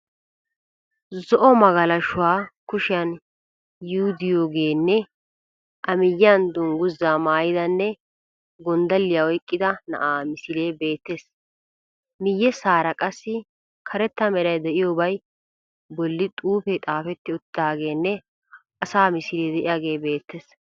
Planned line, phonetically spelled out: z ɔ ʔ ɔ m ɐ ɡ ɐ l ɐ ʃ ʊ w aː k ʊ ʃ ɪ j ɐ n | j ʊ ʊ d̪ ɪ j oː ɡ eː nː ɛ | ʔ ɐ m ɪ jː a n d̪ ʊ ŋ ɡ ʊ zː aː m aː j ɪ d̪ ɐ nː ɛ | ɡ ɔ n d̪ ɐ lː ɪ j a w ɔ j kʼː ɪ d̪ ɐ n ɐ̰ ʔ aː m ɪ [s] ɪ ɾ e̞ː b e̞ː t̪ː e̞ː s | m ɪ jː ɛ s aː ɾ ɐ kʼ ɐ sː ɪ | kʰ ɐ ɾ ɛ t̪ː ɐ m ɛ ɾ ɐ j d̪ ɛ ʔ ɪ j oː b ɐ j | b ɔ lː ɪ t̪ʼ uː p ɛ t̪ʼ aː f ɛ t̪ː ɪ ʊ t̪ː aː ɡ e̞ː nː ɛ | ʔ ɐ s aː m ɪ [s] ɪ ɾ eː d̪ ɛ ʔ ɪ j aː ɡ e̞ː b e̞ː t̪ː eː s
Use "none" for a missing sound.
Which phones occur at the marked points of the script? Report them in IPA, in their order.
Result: s, s

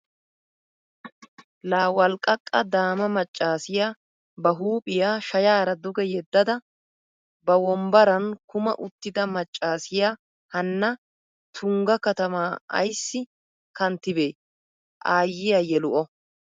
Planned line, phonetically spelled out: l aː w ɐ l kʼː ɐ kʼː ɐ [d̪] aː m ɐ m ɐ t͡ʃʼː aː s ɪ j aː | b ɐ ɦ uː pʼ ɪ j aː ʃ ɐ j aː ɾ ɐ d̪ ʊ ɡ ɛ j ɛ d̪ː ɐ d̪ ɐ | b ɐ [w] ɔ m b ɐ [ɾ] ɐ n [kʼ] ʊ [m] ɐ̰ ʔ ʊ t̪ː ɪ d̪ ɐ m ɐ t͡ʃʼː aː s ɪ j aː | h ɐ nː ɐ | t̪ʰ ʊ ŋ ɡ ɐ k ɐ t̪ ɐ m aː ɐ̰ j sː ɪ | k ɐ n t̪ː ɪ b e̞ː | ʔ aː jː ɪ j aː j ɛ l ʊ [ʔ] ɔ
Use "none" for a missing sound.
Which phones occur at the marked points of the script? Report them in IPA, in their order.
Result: d̪, w, ɾ, k, m, ʔ

